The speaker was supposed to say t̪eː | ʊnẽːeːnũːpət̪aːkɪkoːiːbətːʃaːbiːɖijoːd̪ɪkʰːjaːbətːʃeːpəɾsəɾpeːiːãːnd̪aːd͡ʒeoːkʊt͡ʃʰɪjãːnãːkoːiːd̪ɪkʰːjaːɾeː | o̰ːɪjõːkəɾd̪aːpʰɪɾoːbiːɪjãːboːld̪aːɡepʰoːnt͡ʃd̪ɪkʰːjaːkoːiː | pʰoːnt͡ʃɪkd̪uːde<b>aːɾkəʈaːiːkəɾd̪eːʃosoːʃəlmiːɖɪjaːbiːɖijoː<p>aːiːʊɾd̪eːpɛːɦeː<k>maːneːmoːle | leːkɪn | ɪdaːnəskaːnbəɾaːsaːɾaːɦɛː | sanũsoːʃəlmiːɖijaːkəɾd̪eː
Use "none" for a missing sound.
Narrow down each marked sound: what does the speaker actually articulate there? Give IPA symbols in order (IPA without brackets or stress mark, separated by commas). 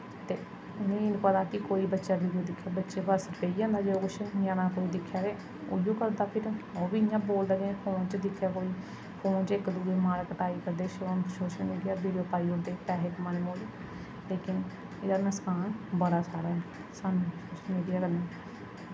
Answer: m, p, k